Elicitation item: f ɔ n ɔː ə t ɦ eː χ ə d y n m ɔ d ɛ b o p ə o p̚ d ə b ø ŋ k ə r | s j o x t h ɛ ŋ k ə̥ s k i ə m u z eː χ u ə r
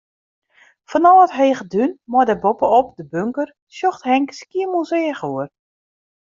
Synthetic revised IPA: f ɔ n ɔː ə t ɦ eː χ ə d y n m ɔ d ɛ b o p ə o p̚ d ə b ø ŋ k ə r | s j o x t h ɛ ŋ k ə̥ s k i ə m u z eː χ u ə r